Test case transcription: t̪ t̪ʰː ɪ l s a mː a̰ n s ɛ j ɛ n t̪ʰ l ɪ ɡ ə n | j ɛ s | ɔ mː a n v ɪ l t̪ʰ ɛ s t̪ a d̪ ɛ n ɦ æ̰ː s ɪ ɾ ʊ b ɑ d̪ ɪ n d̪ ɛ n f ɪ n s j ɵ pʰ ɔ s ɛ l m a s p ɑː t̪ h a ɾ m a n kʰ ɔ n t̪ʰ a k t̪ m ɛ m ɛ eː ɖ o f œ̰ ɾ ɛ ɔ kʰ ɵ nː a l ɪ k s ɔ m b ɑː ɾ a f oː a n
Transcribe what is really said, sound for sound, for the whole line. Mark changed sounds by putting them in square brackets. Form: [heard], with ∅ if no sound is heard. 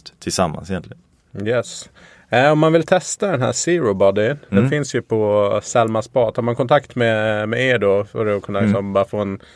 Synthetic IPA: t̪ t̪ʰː ɪ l s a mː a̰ n s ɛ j ɛ n [t̪] l ɪ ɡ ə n | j ɛ s | ɔ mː a n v ɪ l t̪ʰ ɛ s t̪ a d̪ ɛ n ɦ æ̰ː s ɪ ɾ ʊ b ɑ d̪ ɪ n d̪ ɛ n f ɪ n s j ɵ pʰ ɔ s ɛ l m a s p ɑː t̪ h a ɾ m a n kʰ ɔ n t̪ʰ a k t̪ m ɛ m ɛ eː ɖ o f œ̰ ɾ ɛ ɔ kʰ ɵ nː a l ɪ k s ɔ m b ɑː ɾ a f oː [ɛ] n